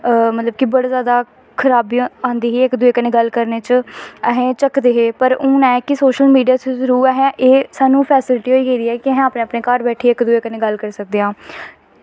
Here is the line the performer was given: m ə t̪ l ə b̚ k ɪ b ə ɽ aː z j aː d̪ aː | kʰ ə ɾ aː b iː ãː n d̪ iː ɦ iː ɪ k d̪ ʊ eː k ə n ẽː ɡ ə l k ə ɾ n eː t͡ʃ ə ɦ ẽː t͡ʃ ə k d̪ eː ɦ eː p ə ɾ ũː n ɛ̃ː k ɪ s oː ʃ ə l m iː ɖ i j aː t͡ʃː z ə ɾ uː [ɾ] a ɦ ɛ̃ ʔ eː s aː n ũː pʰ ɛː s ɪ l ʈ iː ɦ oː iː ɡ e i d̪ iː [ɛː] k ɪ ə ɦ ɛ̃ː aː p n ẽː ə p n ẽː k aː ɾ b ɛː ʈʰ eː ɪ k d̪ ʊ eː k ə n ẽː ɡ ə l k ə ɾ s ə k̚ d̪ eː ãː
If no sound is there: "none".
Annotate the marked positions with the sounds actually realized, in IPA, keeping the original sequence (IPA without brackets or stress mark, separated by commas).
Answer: ɾ, ɛː